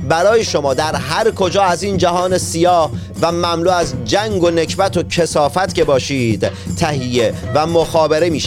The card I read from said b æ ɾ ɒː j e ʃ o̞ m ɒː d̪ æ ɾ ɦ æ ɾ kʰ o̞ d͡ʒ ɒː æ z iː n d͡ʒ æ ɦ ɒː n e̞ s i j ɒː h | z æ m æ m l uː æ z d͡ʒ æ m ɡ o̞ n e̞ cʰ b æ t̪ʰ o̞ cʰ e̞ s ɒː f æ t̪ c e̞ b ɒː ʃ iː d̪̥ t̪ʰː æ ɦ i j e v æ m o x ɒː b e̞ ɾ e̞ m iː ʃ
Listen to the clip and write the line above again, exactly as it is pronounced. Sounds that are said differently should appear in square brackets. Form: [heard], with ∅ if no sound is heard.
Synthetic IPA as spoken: b æ ɾ ɒː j e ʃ o̞ m ɒː d̪ æ ɾ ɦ æ ɾ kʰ o̞ d͡ʒ ɒː æ z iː n d͡ʒ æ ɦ ɒː n e̞ s i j ɒː h | [v] æ m æ m l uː æ z d͡ʒ æ [ŋ] ɡ o̞ n e̞ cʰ b æ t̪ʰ o̞ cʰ e̞ s ɒː f æ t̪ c e̞ b ɒː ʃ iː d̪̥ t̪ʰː æ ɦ i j e v æ m o x ɒː b e̞ ɾ e̞ m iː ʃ